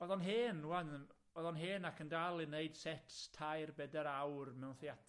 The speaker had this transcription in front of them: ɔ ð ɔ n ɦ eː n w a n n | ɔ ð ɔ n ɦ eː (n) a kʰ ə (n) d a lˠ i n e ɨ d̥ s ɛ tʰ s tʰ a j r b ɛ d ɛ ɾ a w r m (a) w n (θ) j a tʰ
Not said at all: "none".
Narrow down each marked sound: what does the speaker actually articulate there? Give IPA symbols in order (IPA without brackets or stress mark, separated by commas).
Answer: n, n, ɛ, θ